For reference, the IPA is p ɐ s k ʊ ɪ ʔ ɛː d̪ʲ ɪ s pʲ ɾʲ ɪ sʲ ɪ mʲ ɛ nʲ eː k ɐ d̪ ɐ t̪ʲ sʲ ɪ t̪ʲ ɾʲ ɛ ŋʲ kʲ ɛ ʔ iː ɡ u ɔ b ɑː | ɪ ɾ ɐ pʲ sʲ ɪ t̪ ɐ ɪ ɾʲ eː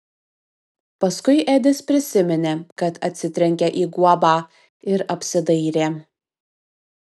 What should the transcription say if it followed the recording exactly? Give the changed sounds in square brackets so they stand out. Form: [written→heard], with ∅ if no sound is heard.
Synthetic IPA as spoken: p ɐ s k ʊ ɪ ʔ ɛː d̪ʲ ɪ s pʲ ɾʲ ɪ sʲ ɪ mʲ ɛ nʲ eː k ɐ [d̪→t̪] ɐ t̪ʲ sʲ ɪ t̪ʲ ɾʲ ɛ ŋʲ kʲ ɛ ʔ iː ɡ u ɔ b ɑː | ɪ ɾ ɐ pʲ sʲ ɪ [t̪→d̪] ɐ ɪ ɾʲ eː